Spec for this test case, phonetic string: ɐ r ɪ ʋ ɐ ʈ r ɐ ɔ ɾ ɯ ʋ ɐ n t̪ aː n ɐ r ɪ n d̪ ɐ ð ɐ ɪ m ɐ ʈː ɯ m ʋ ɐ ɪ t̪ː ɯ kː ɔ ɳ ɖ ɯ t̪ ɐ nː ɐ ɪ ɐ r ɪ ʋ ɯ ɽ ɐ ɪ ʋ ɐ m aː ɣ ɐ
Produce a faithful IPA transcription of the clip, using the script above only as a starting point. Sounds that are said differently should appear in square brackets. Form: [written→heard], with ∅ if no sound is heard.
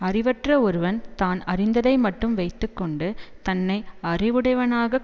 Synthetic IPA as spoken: ɐ r ɪ ʋ ɐ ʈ r ɐ ɔ ɾ ɯ ʋ ɐ n t̪ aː n ɐ r ɪ n d̪ ɐ ð ɐ ɪ m ɐ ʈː ɯ m ʋ ɐ ɪ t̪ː ɯ kː ɔ ɳ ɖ ɯ t̪ ɐ nː ɐ ɪ ɐ r ɪ ʋ ɯ ɽ ɐ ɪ ʋ ɐ [m→n] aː ɣ ɐ